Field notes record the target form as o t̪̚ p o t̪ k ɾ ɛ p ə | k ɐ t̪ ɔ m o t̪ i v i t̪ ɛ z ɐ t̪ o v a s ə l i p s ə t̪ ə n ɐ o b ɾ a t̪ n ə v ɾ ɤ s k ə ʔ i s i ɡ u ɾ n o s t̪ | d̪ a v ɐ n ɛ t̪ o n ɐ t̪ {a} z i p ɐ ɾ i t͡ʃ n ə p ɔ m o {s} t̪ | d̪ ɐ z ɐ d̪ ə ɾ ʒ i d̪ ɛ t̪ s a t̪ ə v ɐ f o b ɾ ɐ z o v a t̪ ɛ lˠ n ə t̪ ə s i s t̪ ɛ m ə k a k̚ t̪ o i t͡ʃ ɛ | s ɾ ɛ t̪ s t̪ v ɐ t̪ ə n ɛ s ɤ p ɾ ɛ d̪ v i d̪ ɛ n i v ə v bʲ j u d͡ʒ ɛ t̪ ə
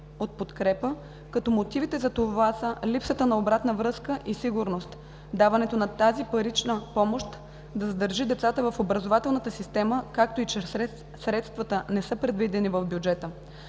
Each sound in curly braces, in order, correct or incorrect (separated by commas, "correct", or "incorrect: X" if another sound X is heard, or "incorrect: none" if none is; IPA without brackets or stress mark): correct, incorrect: ʃ